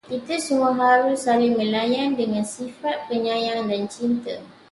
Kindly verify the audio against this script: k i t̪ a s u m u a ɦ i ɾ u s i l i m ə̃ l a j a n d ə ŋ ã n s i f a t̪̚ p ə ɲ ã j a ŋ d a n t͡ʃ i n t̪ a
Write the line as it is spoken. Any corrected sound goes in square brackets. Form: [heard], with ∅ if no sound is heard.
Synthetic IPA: k i t̪ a s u m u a ɦ [a] ɾ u s [a] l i m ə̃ l a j a n d ə ŋ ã n s i f a t̪̚ p ə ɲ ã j a ŋ d a n t͡ʃ i n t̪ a